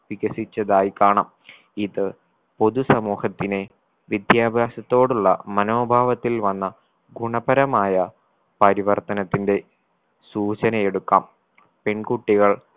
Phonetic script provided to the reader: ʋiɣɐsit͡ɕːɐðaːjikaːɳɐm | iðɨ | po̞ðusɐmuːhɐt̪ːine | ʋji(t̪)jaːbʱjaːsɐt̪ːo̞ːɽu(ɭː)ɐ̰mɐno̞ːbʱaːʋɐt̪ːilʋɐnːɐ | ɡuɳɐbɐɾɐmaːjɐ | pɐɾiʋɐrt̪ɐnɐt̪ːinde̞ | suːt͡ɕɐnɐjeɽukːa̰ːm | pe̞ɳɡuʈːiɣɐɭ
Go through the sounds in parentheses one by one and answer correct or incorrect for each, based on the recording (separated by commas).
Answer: incorrect, correct